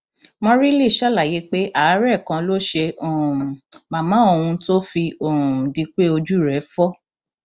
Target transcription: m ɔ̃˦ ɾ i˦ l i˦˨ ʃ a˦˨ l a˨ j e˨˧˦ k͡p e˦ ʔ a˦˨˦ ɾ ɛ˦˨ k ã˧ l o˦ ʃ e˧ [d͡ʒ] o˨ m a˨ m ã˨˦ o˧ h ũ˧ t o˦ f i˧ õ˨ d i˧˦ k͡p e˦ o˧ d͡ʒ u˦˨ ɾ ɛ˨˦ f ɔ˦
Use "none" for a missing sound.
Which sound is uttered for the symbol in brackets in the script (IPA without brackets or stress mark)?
none